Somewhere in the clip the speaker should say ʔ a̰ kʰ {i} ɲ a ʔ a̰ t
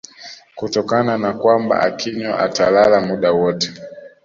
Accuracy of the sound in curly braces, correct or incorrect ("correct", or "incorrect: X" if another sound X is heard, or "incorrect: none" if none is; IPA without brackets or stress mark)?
correct